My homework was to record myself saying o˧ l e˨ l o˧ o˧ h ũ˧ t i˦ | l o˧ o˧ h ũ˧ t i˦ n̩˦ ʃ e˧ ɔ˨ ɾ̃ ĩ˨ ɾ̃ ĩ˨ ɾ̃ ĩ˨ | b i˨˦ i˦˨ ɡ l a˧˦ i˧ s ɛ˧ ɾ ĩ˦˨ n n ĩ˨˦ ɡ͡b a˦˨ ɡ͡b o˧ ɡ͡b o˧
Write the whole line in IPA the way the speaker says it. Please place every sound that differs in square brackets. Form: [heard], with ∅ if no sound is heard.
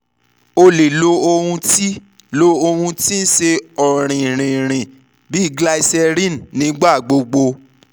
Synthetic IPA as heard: o˧ l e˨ l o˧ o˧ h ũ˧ t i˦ | l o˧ o˧ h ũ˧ t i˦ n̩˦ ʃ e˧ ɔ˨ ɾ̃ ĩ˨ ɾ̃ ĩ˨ ɾ̃ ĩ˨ | b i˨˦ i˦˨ ɡ l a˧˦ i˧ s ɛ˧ ɾ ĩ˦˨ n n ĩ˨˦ ɡ͡b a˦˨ ɡ͡b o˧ ɡ͡b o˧